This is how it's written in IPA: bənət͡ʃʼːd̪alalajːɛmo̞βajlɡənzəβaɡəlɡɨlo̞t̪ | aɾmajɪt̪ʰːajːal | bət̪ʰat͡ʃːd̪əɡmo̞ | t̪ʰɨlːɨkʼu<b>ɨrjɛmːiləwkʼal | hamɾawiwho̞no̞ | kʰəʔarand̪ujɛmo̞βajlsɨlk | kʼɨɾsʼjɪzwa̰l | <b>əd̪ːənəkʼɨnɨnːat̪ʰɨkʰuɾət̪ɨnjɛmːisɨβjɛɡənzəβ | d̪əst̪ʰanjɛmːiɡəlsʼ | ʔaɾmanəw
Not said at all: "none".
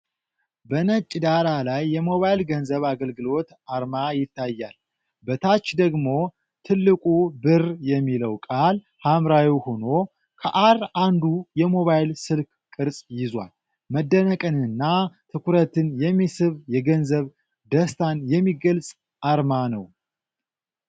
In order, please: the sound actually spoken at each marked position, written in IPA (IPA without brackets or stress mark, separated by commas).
b, m